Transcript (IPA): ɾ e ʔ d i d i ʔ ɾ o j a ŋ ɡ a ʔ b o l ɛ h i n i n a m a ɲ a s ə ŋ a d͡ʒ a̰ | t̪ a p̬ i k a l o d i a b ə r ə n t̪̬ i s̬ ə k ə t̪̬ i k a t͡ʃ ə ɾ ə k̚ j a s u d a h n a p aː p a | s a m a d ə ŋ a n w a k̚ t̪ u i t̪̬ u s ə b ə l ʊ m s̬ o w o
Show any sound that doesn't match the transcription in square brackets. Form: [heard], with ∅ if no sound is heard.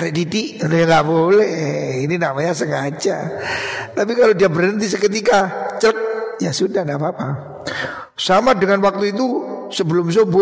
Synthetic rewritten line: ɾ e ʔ d i d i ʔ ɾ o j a ŋ ɡ a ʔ b o l ɛ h i n i n a m a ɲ a s ə ŋ a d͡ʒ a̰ | t̪ a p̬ i k a l o d i a b ə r ə n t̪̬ i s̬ ə k ə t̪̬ i k a t͡ʃ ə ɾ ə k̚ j a s u d a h n a p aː p a | s a m a d ə ŋ a n w a k̚ t̪ u i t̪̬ u s ə b ə l ʊ m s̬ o [b] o